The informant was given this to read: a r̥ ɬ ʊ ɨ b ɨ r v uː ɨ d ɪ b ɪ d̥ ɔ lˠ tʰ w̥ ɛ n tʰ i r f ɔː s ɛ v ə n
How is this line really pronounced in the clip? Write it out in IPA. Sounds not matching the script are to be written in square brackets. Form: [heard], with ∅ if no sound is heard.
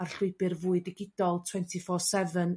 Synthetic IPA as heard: a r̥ ɬ ʊ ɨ b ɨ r v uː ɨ d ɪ [ɡ] ɪ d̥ ɔ lˠ tʰ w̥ ɛ n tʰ i [∅] f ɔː s ɛ v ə n